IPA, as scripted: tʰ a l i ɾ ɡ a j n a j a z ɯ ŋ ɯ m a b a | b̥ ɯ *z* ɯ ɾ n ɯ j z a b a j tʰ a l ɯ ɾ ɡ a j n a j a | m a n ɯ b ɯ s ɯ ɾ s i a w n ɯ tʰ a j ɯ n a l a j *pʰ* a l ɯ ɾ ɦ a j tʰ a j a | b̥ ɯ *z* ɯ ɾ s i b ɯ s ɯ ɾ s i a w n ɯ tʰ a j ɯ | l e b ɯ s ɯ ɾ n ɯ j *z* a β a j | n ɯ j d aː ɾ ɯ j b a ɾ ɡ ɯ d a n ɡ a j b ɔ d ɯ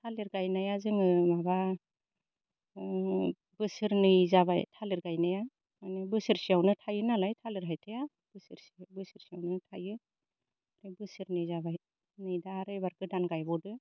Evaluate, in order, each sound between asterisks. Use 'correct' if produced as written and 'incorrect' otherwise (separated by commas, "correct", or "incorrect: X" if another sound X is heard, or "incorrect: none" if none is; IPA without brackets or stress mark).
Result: incorrect: s, incorrect: tʰ, incorrect: s, correct